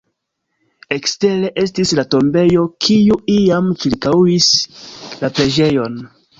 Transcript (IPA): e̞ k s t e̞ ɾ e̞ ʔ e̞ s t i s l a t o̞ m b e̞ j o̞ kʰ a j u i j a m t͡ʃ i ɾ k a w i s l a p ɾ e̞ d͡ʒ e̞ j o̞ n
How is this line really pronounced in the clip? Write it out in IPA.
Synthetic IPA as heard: e̞ k s t e̞ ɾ e̞ ʔ e̞ s t i s l a t o̞ m b e̞ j o̞ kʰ i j u i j a m t͡ʃ i ɾ k a w i s l a p ɾ e̞ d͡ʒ e̞ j o̞ n